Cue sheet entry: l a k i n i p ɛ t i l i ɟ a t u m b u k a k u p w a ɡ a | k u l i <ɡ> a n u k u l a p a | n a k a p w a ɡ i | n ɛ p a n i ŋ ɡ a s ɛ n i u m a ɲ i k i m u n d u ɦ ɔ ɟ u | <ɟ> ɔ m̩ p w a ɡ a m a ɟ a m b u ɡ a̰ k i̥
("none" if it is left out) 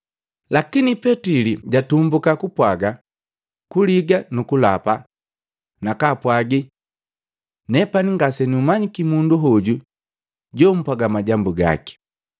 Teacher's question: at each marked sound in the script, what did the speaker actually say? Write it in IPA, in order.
ɡ, ɟ

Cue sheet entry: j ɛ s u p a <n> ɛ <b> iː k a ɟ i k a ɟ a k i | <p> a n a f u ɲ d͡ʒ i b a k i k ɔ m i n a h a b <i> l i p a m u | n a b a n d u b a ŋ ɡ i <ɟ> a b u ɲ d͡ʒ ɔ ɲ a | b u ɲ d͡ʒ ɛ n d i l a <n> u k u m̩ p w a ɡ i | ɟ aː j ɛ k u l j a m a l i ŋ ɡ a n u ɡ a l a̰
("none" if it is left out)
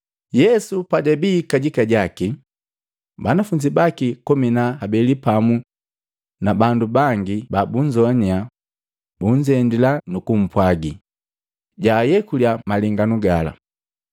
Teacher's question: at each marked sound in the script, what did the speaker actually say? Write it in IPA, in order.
d, b, b, ɛ, b, n

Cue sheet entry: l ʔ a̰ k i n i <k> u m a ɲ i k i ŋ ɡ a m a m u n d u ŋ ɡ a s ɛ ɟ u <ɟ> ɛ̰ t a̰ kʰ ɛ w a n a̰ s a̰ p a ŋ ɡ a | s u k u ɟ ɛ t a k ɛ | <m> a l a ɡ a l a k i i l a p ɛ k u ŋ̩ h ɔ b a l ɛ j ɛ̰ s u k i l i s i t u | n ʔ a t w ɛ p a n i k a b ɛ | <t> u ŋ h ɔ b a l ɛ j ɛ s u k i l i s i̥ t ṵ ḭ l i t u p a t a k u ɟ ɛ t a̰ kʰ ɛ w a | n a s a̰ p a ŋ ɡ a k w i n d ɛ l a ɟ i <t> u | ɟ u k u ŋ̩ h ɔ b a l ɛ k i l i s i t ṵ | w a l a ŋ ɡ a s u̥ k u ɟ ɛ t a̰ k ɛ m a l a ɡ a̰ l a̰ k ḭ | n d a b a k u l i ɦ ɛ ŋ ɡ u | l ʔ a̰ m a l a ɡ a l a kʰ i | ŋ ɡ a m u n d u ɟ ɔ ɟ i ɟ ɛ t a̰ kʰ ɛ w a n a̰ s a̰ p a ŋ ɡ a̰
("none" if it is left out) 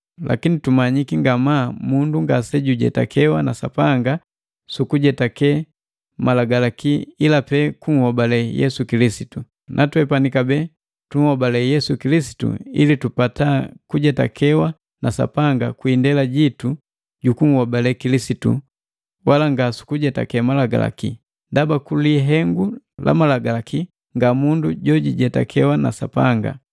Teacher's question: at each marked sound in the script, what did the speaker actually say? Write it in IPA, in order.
t, ɟ, m, t, t

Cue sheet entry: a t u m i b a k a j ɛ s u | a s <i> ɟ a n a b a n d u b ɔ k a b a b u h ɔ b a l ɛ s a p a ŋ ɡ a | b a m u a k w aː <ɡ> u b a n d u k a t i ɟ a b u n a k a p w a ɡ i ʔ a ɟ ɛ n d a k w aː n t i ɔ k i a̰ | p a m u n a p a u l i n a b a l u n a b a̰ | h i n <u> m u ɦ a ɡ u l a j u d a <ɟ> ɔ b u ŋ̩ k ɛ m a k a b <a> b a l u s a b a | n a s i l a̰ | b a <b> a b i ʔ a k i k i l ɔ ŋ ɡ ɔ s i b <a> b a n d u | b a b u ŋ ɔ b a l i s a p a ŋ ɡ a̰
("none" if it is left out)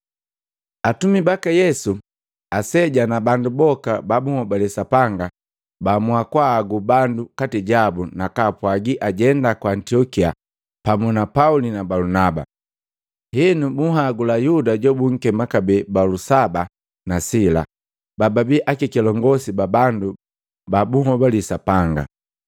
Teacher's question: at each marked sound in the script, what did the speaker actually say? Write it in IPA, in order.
ɛ, ɡ, u, ɟ, ɛ, b, a

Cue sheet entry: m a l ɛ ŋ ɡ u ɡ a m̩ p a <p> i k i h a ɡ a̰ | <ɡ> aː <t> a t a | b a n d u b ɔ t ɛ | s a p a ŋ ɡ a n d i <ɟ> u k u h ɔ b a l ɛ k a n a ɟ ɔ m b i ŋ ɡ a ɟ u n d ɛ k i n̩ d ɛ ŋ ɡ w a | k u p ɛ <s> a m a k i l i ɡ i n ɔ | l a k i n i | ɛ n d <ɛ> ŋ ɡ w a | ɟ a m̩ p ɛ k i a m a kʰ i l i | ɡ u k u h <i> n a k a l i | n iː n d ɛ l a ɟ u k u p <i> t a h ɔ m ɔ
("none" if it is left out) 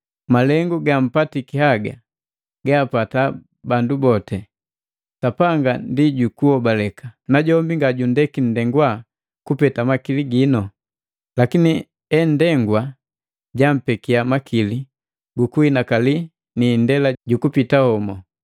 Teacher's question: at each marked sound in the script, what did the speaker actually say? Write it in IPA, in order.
t, ɡ, p, ɟ, t, ɛ, i, i

